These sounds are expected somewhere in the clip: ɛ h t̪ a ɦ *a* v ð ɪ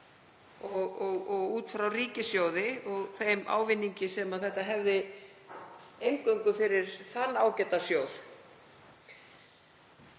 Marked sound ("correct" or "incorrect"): incorrect